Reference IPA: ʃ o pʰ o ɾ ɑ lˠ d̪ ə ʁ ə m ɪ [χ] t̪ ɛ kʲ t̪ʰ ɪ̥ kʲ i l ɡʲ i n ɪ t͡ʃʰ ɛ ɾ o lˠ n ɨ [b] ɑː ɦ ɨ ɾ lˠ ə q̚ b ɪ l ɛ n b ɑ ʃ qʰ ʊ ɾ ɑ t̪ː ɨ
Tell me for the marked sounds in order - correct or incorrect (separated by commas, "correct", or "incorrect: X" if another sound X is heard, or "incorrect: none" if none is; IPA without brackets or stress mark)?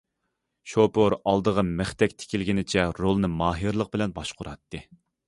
correct, incorrect: m